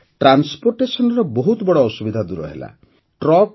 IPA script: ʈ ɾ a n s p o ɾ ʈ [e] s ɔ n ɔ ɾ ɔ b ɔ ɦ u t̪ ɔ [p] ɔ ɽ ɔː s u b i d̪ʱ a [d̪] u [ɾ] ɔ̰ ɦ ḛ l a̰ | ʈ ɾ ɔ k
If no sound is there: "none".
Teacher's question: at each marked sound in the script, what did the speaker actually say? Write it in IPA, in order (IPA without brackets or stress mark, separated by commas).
e, b, d̪, ɾ